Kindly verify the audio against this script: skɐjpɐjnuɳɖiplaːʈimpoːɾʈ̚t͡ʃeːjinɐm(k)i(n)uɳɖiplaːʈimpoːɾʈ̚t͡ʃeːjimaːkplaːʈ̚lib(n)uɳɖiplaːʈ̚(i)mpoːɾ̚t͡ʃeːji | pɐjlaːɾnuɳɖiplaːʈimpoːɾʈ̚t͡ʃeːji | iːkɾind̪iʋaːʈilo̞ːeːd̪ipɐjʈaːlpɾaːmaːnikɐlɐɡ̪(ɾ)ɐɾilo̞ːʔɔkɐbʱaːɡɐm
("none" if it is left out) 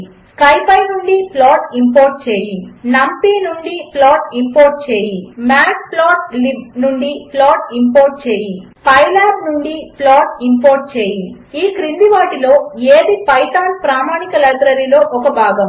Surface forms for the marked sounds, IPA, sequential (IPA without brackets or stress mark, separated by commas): p, n, n, i, ɾ